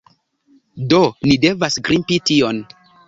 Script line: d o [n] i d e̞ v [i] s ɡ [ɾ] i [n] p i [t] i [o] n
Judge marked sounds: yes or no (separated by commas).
yes, no, yes, no, yes, yes